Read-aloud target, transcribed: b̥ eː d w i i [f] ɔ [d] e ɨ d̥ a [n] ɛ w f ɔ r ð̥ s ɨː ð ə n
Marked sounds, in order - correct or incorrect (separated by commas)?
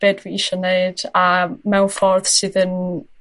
incorrect, incorrect, incorrect